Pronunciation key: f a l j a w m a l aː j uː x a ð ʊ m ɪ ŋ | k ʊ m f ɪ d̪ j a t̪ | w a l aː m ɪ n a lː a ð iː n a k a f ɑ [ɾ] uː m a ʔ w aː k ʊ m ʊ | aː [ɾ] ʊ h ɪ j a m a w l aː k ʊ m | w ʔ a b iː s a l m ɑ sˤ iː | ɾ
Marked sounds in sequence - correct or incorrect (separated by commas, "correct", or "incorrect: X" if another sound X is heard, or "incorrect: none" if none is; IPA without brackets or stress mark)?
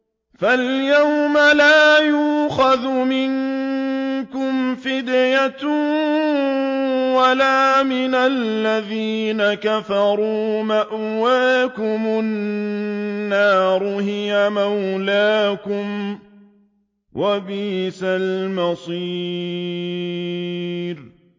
correct, correct